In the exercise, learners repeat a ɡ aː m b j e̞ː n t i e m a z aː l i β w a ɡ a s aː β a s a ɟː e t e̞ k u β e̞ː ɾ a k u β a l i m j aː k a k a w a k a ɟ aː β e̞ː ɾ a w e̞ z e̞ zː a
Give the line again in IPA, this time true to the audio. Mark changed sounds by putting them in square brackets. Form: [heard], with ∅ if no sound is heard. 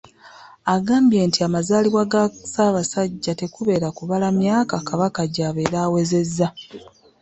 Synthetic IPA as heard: a ɡ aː m b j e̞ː n t i [a] m a z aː l i β w a ɡ a s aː β a s a ɟː [a] t e̞ k u β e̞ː ɾ a k u β a l [a] m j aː k a k a [β] a k a ɟ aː β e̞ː ɾ a w e̞ z e̞ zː a